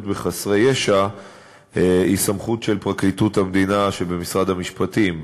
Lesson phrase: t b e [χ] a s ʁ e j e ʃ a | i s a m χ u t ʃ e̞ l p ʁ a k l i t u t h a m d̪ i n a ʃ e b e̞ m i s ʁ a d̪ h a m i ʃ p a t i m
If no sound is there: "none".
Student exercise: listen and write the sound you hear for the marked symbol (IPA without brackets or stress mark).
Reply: χ